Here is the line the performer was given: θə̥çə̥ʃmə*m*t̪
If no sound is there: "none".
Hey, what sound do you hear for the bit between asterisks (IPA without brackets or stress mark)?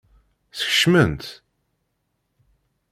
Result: n